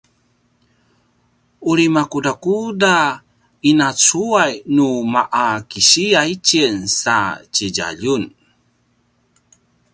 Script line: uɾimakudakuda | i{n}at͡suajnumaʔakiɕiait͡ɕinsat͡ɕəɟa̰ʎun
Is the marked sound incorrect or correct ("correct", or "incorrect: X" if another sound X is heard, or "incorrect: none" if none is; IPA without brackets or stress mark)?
correct